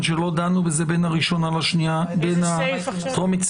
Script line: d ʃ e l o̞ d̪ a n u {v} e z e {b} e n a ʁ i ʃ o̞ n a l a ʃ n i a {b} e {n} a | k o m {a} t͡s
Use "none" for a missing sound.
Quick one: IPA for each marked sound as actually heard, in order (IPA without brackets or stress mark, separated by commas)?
b, b, b, n, i